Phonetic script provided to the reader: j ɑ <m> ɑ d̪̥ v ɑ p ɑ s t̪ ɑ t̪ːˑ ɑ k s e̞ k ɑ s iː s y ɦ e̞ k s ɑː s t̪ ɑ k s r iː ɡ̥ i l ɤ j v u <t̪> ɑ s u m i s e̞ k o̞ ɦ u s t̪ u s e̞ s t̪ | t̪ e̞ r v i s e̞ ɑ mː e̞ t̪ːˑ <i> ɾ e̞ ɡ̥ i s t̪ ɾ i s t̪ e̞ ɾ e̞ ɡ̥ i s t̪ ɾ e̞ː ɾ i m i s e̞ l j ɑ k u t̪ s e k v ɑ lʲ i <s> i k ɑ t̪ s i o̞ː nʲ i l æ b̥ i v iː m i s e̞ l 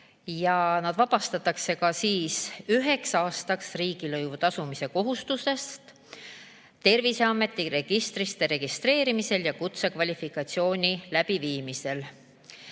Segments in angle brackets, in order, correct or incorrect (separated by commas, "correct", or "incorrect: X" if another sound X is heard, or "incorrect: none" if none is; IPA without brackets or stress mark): incorrect: n, correct, correct, incorrect: f